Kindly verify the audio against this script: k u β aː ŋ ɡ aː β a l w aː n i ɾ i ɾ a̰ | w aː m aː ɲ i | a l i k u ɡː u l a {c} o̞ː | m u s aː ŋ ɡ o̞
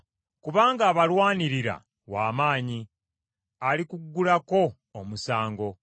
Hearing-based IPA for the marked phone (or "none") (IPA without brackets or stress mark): k